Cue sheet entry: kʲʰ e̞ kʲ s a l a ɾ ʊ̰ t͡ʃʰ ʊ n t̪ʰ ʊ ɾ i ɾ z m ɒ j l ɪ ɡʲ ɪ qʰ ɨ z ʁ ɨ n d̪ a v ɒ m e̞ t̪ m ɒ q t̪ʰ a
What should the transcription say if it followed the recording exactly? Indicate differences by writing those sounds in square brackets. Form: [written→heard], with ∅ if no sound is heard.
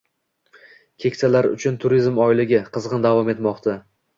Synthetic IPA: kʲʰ e̞ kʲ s a l a ɾ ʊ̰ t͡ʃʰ ʊ n t̪ʰ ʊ ɾ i [ɾ→∅] z m ɒ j l ɪ ɡʲ ɪ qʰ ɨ z ʁ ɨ n d̪ a v ɒ m e̞ t̪ m ɒ q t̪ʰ a